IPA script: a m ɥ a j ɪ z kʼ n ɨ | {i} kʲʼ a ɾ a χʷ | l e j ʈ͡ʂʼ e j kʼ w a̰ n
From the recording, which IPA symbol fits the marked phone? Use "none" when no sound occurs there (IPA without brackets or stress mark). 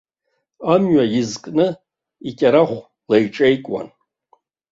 i